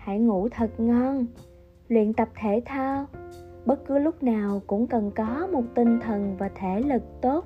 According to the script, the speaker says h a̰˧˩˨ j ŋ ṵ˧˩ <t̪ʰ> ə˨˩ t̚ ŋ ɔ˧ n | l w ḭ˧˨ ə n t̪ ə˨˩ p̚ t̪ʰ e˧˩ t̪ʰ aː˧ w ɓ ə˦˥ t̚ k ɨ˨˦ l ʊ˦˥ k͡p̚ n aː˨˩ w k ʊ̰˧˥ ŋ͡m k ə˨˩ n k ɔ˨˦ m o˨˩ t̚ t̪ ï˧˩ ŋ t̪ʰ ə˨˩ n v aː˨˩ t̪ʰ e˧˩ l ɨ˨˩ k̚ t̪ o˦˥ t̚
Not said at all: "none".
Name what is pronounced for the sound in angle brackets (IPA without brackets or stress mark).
t̪ʰ